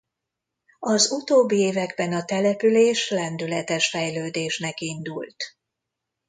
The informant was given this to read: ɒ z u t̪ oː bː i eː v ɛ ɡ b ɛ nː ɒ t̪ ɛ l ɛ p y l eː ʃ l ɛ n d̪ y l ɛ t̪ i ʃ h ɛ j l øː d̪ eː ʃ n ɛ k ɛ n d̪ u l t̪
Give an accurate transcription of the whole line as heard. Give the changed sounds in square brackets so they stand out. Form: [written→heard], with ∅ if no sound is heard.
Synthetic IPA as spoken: ɒ z u t̪ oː bː i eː v ɛ ɡ b ɛ [nː→n] ɒ t̪ ɛ l ɛ p y l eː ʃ l ɛ n d̪ y l ɛ t̪ [i→ɛ] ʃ [h→f] ɛ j l øː d̪ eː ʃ n ɛ k [ɛ→i] n d̪ u l t̪